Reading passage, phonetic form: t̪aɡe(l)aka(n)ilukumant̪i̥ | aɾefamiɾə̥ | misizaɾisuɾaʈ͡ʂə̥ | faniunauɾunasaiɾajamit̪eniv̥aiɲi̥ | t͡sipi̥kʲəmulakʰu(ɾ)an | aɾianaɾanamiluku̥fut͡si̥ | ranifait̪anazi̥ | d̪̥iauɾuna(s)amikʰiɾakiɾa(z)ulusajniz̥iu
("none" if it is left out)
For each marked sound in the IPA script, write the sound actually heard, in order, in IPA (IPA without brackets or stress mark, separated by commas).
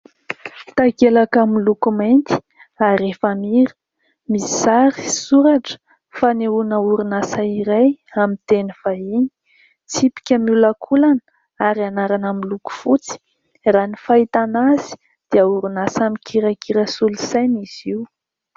l, m, l, s, s